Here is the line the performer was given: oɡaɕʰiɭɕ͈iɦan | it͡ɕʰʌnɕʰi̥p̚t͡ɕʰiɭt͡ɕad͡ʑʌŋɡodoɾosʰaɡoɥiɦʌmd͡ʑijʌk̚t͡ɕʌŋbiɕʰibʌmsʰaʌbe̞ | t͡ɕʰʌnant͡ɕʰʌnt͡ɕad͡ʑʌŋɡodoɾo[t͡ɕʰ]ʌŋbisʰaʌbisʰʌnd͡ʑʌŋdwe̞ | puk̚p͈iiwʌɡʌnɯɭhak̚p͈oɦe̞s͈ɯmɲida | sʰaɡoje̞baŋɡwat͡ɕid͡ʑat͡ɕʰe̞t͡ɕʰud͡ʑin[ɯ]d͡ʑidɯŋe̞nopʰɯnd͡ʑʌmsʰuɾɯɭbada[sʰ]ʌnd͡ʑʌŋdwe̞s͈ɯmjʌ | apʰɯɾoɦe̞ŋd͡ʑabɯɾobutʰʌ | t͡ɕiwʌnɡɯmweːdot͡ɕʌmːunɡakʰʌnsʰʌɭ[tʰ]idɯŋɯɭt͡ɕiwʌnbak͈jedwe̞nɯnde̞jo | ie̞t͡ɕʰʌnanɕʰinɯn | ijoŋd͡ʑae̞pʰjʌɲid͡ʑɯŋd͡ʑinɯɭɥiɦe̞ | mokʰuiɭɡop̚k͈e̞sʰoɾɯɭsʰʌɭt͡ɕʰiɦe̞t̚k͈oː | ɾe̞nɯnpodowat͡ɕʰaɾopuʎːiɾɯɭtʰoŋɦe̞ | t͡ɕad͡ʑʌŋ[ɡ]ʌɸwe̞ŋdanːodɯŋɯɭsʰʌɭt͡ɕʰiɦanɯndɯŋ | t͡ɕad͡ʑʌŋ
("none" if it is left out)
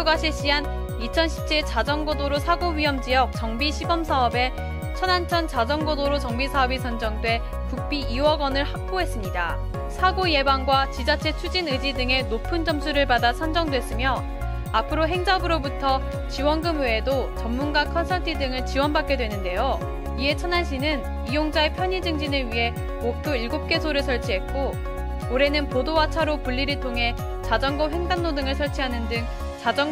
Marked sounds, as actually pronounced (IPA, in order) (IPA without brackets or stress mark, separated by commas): t͡ɕ, ɯ, sʰ, tʰ, ɡ